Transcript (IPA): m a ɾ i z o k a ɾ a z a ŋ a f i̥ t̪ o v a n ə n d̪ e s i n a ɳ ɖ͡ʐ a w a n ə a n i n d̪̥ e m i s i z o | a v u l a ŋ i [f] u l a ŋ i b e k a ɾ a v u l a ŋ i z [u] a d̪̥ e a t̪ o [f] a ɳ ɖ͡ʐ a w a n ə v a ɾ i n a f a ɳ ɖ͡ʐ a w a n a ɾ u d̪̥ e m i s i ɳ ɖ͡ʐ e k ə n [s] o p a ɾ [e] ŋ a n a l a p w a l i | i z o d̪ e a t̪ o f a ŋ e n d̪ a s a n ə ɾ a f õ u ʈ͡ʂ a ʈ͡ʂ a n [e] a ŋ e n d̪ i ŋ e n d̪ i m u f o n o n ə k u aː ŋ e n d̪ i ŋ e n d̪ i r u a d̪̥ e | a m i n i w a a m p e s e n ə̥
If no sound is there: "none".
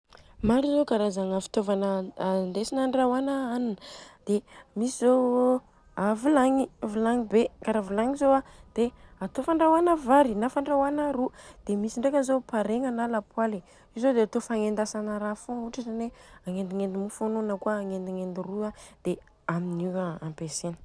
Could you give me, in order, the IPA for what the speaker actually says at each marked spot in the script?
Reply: v, o, f, z, e, e

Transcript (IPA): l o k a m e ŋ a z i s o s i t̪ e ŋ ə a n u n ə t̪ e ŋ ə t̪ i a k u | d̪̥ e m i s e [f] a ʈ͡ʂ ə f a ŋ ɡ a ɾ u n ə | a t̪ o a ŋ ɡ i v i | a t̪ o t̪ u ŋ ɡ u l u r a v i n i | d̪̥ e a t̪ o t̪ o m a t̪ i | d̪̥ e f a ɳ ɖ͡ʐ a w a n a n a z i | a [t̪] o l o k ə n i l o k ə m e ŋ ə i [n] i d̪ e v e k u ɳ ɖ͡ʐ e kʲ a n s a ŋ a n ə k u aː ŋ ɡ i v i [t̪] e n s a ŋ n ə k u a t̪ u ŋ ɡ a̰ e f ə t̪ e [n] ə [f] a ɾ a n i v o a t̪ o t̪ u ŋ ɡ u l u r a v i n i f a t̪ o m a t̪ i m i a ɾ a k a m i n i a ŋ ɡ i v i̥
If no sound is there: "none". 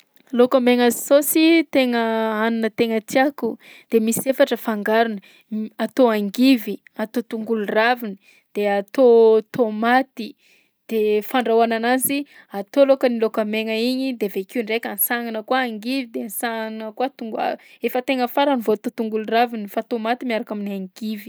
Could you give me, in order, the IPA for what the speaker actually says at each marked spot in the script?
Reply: f, t̪, ɲ, d̪, ŋ, f

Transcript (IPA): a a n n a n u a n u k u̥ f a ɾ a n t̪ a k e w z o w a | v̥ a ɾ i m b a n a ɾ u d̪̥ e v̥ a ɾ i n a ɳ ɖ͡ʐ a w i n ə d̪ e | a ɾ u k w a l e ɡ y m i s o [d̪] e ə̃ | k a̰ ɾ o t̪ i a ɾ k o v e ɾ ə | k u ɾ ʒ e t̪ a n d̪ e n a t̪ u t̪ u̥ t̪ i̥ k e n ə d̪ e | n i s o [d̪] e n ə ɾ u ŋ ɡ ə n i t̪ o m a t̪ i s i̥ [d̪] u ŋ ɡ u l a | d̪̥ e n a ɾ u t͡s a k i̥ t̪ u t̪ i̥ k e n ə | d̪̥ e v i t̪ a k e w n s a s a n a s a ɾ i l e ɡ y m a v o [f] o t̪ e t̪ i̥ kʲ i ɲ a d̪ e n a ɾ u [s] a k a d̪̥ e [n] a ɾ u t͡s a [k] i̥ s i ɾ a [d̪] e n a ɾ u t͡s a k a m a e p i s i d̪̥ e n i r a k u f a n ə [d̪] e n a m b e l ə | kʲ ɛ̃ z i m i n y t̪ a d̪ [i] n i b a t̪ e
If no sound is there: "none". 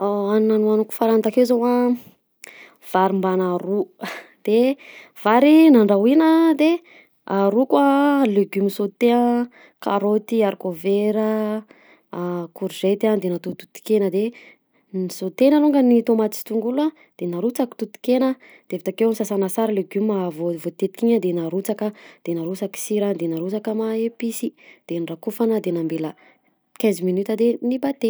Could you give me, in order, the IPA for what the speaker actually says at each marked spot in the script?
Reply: t̪, t̪, t̪, v, t͡s, n, k, d̪, d̪, e

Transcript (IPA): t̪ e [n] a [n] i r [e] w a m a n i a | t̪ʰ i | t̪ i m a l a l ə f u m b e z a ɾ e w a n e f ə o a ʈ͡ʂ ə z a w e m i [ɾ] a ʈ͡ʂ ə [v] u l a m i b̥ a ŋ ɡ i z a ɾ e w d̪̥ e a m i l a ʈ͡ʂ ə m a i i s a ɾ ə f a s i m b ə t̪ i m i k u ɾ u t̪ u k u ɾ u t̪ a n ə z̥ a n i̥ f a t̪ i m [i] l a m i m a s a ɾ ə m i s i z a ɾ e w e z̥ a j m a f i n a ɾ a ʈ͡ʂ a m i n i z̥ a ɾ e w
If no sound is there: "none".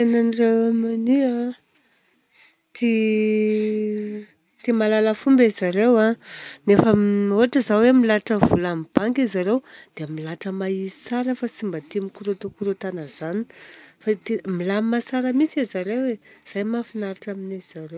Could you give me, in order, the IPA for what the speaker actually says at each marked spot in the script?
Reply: n, n, e, l, v, i

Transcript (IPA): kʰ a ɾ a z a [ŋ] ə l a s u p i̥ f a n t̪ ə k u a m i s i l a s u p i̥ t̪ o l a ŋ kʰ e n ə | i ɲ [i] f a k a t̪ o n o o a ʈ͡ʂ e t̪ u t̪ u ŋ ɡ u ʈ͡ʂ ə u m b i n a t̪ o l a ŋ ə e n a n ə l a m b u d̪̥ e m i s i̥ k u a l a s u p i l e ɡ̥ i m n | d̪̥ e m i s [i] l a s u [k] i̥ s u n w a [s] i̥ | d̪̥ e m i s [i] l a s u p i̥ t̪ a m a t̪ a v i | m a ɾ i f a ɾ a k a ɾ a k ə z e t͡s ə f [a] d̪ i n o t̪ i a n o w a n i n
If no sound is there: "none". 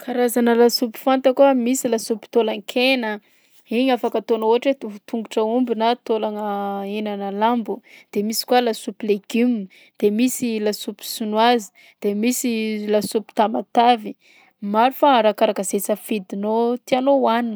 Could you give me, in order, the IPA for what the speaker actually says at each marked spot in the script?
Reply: n, a, i, p, z, i, i

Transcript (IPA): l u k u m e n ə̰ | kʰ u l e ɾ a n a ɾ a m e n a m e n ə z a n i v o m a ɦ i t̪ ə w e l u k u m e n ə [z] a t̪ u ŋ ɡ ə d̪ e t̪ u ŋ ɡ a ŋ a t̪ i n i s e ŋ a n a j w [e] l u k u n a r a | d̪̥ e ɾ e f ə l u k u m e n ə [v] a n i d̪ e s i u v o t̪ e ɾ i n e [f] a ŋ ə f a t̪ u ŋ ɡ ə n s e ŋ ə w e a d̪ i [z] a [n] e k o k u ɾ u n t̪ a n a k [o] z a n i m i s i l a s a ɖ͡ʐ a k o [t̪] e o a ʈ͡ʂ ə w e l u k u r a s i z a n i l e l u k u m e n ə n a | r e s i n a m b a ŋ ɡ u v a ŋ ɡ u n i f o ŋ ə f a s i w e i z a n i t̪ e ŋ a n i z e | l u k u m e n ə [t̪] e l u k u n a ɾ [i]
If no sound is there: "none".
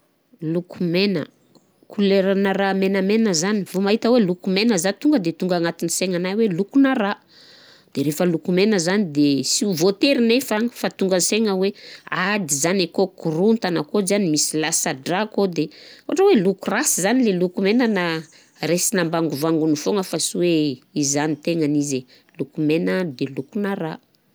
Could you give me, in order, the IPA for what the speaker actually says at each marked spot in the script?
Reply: z, e, z, f, z, n, o, d̪, d̪, a

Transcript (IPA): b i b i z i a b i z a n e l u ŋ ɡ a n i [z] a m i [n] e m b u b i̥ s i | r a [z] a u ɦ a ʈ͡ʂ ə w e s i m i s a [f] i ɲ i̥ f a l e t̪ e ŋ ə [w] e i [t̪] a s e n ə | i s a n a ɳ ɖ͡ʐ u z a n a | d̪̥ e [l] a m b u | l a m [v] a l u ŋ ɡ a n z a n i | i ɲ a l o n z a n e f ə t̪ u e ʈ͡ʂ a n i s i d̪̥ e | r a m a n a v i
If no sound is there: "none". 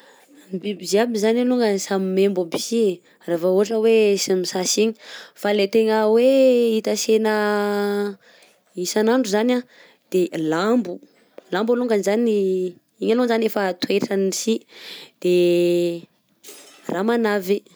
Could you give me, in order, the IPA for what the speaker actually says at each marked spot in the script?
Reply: s, m, v, s, w, t̪, l, b

